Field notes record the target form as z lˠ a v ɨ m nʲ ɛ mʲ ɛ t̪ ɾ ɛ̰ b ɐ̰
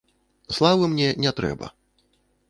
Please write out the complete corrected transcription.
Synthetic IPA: s lˠ a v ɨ m nʲ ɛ nʲ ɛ t̪ ɾ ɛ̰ b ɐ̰